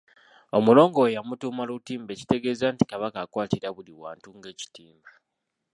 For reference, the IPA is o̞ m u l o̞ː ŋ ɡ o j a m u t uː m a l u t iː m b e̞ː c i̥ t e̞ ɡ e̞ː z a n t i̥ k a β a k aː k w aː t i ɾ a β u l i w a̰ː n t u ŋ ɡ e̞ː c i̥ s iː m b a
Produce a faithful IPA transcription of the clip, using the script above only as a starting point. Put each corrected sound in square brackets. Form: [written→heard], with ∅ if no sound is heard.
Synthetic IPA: o̞ m u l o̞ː ŋ ɡ o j a m u t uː m a l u t iː m b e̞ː c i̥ t e̞ ɡ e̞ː z a n t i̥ k a β a k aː k w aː t i ɾ a β u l i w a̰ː n t u ŋ ɡ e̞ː c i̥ [s→t] iː m b a